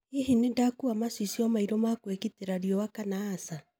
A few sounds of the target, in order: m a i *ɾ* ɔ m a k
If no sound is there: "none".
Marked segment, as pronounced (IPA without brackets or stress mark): ɾ